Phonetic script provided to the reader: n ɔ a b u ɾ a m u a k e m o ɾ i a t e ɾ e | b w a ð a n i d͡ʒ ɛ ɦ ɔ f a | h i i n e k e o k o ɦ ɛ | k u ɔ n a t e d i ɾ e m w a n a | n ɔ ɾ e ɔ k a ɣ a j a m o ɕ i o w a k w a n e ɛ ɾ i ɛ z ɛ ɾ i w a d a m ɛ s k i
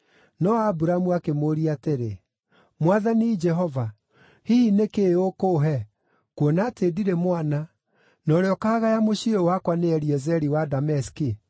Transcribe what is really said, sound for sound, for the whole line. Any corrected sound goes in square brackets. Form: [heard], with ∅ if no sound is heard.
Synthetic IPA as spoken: n ɔ a b u ɾ a m u a k e m o ɾ i a t e ɾ e | [m] w a ð a n i d͡ʒ ɛ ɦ ɔ [v] a | h i i n e k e o k o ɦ ɛ | k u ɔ n a t e d i ɾ e m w a n a | n ɔ ɾ e ɔ k a ɣ a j a m o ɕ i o w a k w a n e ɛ ɾ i ɛ z ɛ ɾ i w a d a m ɛ s k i